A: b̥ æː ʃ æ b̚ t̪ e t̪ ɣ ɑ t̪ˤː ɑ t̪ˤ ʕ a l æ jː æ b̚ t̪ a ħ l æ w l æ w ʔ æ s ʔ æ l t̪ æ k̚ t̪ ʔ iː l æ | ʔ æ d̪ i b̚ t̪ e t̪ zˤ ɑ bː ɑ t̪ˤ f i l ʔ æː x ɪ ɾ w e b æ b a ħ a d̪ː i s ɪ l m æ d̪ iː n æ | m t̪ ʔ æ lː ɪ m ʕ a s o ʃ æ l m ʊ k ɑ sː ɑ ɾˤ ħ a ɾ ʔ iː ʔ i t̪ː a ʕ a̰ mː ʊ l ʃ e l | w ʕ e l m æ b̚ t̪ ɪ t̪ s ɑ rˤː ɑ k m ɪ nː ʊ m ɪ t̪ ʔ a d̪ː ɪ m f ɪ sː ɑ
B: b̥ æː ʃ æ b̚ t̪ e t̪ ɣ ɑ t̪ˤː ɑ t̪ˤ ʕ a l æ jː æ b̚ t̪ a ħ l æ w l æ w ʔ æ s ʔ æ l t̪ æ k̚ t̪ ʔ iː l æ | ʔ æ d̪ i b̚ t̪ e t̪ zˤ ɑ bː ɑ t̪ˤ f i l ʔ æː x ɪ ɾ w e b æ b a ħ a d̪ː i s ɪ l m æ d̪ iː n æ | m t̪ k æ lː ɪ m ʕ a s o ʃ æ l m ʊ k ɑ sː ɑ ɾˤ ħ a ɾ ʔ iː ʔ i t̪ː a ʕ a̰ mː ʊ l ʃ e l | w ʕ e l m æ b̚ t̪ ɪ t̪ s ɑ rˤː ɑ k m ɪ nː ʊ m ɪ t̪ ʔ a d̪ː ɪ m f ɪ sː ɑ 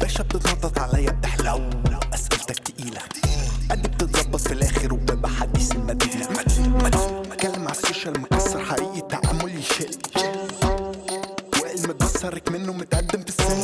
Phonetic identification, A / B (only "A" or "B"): B